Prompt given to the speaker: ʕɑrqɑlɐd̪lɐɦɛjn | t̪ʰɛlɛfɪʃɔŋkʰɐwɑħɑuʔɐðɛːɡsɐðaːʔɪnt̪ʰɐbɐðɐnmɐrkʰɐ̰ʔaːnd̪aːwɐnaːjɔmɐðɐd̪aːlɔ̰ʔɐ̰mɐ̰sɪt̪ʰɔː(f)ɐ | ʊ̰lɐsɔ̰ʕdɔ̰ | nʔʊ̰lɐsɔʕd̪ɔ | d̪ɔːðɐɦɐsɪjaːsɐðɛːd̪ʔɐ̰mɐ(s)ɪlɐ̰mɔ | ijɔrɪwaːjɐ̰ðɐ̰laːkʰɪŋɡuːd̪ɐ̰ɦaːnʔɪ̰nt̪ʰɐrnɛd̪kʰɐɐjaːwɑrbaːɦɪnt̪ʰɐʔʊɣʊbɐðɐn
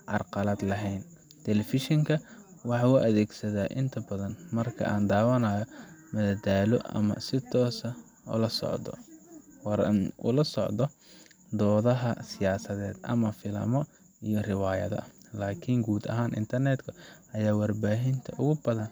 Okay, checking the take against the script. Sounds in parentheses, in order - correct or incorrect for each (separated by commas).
incorrect, incorrect